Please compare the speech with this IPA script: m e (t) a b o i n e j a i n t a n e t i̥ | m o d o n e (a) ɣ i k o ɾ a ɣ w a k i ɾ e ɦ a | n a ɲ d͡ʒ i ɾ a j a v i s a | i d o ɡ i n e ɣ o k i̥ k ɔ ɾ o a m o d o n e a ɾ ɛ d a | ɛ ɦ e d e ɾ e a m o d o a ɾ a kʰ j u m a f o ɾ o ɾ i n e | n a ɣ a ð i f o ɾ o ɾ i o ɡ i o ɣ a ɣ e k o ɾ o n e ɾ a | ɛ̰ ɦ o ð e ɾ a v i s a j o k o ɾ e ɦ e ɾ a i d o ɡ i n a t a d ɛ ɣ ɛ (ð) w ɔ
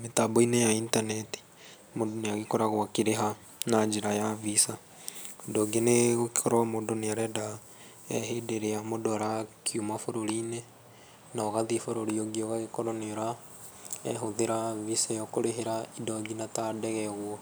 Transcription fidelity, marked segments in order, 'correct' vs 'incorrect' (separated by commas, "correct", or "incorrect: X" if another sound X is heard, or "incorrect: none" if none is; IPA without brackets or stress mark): correct, correct, incorrect: ɣ